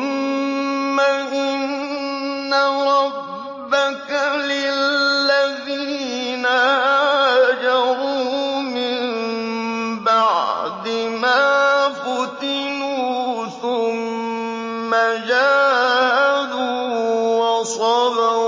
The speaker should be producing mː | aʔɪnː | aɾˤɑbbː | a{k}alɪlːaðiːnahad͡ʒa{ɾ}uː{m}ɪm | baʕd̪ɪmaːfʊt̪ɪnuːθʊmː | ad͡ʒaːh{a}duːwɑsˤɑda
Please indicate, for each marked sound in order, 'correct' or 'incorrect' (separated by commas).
correct, correct, correct, correct